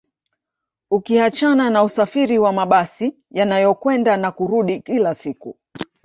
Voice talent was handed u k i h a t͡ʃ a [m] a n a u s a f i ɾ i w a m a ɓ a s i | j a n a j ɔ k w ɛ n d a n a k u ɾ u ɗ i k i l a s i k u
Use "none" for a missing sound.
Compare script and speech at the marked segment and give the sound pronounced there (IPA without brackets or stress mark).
n